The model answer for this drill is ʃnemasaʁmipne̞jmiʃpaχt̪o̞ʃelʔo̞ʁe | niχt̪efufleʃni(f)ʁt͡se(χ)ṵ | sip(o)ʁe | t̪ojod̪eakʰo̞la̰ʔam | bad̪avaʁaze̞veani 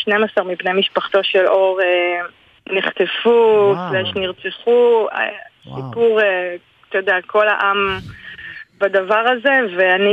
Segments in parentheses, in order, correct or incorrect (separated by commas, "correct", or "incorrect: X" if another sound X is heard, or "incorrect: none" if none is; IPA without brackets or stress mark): incorrect: none, correct, incorrect: u